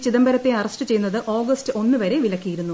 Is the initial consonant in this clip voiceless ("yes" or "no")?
yes